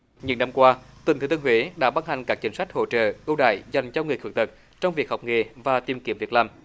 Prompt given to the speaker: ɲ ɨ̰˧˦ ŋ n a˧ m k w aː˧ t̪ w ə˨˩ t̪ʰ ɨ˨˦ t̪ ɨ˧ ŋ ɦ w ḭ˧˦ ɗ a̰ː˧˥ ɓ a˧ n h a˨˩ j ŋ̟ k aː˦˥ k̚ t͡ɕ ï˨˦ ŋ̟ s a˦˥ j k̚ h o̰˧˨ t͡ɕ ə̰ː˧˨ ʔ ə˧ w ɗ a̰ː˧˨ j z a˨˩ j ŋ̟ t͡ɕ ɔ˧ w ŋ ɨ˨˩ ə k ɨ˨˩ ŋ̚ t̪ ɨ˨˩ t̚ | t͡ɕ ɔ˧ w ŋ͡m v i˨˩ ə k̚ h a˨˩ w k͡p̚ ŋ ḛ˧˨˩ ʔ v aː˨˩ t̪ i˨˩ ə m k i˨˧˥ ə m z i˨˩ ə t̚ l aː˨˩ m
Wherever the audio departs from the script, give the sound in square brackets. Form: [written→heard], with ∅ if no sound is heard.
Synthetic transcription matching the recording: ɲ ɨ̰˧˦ ŋ n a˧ m k w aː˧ t̪ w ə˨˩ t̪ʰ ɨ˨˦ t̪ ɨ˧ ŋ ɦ w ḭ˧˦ ɗ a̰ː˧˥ ɓ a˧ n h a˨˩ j ŋ̟ k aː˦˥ k̚ t͡ɕ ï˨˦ ŋ̟ s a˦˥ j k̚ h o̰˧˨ t͡ɕ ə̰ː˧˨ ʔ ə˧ w ɗ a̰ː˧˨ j z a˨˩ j ŋ̟ t͡ɕ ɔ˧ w ŋ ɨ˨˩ ə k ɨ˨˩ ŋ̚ t̪ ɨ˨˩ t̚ | t͡ɕ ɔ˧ w ŋ͡m v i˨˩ ə k̚ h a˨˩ w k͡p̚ ŋ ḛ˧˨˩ [ʔ→∅] v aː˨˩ t̪ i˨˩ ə m k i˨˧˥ ə m [z→v] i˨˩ ə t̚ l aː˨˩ m

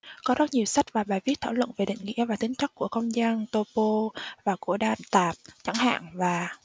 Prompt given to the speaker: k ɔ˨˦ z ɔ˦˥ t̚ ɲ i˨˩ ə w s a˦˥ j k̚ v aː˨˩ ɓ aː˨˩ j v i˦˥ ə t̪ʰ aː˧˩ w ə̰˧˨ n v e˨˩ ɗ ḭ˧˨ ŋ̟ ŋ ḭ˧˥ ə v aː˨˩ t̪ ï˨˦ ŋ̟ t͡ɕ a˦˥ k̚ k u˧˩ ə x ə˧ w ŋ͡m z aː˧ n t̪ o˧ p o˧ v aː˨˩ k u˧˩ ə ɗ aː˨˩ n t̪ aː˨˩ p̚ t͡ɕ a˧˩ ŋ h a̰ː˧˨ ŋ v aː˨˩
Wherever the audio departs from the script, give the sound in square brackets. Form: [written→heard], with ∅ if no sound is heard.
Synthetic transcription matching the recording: k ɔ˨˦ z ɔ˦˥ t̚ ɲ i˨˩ ə w s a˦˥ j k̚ v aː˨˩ ɓ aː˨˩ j v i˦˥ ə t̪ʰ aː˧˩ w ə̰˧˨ n v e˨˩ ɗ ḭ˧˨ ŋ̟ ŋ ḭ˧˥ ə v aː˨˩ t̪ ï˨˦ ŋ̟ t͡ɕ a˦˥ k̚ k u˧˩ ə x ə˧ w ŋ͡m z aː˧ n t̪ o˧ p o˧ v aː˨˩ k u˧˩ ə ɗ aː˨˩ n t̪ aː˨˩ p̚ t͡ɕ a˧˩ ŋ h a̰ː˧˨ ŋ v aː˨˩

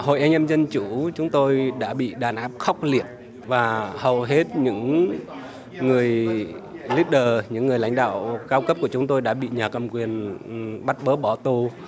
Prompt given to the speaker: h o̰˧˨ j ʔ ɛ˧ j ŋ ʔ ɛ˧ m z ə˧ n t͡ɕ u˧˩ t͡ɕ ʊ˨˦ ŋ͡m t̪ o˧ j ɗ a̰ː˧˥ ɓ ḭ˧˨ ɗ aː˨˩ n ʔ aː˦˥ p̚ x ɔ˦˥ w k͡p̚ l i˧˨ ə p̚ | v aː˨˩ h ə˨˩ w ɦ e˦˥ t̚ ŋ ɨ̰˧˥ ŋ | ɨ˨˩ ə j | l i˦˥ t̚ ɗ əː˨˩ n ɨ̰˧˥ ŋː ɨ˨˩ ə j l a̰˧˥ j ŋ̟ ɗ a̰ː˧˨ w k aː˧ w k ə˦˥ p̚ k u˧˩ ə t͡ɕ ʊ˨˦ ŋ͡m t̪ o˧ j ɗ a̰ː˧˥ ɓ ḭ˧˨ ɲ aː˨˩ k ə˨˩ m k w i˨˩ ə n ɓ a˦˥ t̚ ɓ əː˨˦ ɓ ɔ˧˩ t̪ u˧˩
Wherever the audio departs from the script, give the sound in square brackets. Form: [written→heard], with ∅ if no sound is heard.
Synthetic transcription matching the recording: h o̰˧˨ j ʔ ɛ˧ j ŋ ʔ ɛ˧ m z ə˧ n t͡ɕ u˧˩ t͡ɕ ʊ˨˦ ŋ͡m t̪ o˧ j ɗ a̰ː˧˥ ɓ ḭ˧˨ ɗ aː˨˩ n ʔ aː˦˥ p̚ x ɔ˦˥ w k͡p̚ l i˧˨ ə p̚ | v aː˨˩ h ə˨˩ w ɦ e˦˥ t̚ [ŋ→ɲ] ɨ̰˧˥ ŋ | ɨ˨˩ ə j | l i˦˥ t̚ ɗ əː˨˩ [n→ɲ] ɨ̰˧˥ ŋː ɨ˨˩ ə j l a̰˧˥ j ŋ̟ ɗ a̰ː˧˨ w k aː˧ w k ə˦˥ p̚ k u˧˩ ə t͡ɕ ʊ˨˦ ŋ͡m t̪ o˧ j ɗ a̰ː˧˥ ɓ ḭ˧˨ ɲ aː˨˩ k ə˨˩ m k w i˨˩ ə n ɓ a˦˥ t̚ ɓ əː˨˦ ɓ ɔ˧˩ t̪ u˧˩

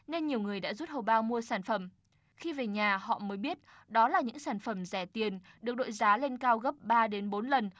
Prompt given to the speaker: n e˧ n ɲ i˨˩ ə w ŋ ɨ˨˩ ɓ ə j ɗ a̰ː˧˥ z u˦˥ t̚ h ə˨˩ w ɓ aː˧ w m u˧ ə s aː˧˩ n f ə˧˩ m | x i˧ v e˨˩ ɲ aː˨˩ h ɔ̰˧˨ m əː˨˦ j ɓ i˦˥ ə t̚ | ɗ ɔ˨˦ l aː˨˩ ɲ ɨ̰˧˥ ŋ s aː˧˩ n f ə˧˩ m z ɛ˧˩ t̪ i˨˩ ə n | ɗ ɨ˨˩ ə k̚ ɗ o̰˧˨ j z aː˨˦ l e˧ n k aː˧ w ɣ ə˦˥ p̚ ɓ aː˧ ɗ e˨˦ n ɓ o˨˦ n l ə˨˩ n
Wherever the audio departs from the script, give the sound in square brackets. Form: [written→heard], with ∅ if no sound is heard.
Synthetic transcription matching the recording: n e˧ n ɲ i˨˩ ə w ŋ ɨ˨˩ [ɓ→∅] ə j ɗ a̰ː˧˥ z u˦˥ t̚ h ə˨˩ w ɓ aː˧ w m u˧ ə s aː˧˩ n f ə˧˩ m | x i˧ v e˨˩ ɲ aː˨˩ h ɔ̰˧˨ m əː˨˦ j ɓ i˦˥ ə t̚ | ɗ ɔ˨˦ l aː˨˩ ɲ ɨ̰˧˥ ŋ s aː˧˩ n f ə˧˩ m z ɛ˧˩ t̪ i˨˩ ə n | ɗ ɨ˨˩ ə k̚ ɗ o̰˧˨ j z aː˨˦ l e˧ n k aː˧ w ɣ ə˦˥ p̚ ɓ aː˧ ɗ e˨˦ n ɓ o˨˦ n l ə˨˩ n

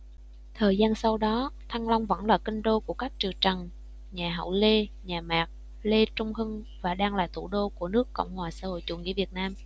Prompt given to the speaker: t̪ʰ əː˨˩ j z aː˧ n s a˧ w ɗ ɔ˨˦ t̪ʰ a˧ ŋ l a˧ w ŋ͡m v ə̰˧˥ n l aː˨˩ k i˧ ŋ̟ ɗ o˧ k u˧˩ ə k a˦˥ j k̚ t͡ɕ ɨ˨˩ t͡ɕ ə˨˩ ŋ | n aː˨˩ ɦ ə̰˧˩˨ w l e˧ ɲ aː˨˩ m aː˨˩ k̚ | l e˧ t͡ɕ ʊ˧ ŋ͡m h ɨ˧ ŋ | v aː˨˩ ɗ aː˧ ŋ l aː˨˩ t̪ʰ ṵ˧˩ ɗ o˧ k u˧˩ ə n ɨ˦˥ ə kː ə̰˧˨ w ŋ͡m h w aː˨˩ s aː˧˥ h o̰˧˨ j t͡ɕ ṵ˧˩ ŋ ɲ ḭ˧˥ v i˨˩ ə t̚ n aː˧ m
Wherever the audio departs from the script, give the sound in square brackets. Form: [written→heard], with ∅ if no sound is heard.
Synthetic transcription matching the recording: t̪ʰ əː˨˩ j z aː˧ n s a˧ w ɗ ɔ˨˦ t̪ʰ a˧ ŋ l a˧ w ŋ͡m v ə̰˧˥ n l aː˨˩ k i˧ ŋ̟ ɗ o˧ k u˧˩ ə k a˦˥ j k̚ t͡ɕ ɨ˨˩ t͡ɕ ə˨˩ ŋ | [n→ɲ] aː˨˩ ɦ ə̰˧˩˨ w l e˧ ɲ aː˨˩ m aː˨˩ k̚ | l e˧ t͡ɕ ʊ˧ ŋ͡m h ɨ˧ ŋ | v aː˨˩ ɗ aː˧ ŋ l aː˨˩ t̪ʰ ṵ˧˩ ɗ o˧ k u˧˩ ə n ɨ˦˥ ə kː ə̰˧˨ w ŋ͡m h w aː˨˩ s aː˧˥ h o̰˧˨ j t͡ɕ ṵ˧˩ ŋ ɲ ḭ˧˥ v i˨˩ ə t̚ n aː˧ m

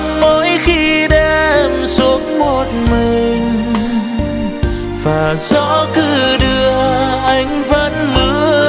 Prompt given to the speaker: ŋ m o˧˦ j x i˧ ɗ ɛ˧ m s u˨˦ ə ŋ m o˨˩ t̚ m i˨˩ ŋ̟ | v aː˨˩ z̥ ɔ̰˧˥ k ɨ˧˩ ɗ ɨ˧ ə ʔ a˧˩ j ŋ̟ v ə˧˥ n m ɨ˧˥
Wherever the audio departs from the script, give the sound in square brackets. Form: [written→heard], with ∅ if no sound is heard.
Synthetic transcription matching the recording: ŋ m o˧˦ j x i˧ ɗ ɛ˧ m s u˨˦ ə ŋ m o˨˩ t̚ m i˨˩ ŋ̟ | v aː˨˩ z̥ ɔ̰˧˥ k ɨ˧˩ ɗ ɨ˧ ə ʔ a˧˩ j ŋ̟ v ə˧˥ n m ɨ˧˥

